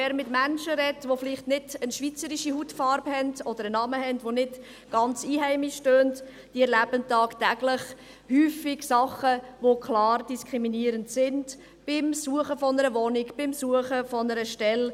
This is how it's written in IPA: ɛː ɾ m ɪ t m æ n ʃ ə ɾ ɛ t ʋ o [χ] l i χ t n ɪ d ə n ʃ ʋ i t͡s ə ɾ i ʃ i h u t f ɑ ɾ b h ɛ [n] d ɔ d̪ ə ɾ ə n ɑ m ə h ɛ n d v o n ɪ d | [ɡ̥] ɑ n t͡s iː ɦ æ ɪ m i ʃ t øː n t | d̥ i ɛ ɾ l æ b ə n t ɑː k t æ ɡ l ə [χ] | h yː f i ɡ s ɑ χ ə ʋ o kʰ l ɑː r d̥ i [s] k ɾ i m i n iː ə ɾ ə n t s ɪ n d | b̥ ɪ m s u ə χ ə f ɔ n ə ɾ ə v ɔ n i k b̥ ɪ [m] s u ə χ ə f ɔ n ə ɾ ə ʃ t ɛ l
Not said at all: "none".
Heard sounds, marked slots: f, n, ɡ̥, χ, s, m

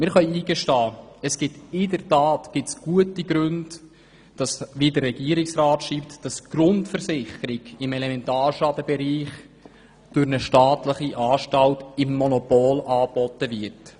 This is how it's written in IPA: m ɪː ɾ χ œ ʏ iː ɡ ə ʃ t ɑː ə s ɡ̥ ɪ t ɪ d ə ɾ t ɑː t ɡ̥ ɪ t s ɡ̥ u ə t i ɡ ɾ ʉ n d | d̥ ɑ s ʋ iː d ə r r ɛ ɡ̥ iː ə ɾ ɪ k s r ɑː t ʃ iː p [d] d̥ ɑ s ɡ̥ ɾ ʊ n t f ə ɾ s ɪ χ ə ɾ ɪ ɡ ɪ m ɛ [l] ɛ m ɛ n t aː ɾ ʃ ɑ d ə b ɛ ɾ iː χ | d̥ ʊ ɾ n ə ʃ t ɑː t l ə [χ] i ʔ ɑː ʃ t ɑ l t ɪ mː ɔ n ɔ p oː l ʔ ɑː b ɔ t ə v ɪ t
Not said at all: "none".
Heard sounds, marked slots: t, l, χ

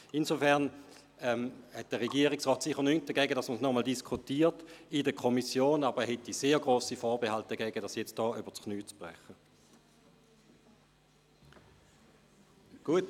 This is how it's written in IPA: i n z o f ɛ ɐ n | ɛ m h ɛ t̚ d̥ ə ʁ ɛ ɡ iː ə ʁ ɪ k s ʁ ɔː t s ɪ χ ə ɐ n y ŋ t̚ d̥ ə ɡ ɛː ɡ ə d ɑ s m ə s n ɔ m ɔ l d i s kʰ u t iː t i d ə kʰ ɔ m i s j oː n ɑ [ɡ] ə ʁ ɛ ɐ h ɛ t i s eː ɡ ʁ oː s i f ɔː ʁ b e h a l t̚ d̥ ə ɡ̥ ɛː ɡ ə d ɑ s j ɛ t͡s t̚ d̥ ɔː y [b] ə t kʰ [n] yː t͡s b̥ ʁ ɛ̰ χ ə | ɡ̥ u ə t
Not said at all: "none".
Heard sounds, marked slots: b, b, n

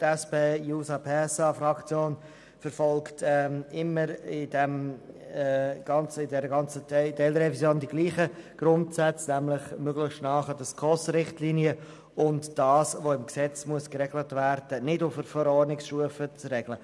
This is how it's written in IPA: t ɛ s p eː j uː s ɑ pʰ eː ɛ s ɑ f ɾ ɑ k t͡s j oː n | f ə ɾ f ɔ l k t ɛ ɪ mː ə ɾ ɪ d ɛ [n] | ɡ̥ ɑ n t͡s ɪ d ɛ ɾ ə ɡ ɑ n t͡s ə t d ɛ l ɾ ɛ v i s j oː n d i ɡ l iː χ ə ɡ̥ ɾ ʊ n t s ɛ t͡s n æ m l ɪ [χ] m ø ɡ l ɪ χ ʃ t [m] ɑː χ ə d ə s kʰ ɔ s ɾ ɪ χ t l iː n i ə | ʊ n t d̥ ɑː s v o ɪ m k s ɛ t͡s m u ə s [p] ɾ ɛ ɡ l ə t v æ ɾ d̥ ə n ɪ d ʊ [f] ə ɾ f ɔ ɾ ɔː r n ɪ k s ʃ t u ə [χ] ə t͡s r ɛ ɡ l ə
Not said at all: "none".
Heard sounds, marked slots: m, χ, n, k, f, f

